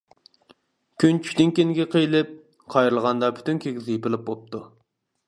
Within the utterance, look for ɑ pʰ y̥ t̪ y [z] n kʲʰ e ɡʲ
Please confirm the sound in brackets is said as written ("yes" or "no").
no